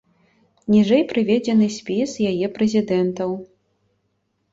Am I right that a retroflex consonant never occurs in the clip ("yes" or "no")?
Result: no